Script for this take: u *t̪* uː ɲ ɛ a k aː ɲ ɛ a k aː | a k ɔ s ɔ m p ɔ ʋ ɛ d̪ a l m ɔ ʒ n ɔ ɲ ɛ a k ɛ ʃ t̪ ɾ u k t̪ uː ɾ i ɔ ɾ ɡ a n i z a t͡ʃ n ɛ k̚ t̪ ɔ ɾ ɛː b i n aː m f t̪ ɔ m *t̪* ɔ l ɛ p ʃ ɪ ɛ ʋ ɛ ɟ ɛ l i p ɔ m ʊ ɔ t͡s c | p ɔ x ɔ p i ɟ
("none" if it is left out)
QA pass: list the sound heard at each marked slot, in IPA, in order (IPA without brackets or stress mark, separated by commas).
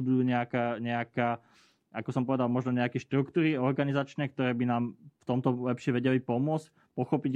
d̪, t̪